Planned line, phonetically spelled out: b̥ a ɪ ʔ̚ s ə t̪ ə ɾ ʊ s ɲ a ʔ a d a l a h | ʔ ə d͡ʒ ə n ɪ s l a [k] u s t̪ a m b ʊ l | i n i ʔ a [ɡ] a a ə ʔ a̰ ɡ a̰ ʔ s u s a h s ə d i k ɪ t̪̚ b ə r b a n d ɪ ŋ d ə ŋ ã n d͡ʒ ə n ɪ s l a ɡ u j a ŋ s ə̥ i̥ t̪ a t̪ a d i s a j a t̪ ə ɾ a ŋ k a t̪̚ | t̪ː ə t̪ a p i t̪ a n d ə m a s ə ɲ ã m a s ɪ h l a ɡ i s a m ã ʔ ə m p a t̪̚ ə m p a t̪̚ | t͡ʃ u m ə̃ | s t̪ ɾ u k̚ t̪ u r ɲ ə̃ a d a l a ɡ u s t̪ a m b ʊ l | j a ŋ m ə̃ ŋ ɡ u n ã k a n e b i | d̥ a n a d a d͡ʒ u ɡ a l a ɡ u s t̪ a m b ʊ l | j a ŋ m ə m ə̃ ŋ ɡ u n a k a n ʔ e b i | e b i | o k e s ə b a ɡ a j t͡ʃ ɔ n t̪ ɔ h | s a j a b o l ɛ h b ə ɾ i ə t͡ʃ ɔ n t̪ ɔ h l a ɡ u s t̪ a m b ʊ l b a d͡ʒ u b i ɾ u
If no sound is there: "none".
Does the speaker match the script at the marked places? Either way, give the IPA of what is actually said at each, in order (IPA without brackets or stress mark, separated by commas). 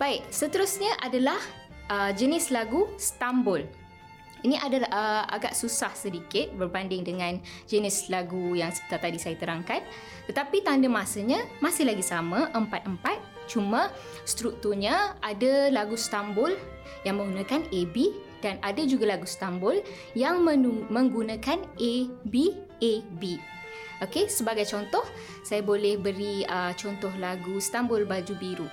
ɡ, d